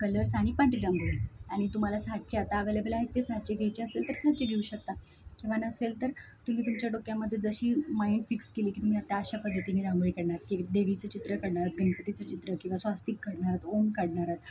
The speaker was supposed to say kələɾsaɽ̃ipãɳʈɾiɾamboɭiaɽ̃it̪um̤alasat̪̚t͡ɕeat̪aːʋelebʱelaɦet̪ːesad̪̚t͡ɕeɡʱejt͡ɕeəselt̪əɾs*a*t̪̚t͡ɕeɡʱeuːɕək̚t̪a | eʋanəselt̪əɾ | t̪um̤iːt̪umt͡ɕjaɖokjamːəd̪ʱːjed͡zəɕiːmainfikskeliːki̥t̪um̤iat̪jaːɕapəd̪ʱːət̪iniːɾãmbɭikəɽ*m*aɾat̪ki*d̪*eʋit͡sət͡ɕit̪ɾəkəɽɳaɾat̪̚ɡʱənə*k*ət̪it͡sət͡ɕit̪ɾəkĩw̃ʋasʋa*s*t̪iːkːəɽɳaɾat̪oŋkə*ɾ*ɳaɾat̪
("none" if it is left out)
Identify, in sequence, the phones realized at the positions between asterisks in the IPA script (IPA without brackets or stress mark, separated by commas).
a, ɳ, d̪, p, s, ɽ